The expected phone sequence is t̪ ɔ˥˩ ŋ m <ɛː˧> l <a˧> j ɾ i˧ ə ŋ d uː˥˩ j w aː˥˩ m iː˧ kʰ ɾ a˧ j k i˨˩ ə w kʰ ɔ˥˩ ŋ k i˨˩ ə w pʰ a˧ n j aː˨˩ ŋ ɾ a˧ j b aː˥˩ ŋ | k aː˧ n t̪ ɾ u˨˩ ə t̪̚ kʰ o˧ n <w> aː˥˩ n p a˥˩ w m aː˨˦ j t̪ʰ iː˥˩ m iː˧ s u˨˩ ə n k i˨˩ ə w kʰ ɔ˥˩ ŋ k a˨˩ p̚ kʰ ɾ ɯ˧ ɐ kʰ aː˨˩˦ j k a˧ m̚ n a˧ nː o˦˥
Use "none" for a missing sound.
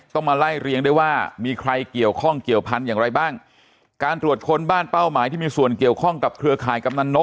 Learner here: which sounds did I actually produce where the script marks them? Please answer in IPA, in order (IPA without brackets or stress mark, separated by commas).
aː˧, a˥˩, b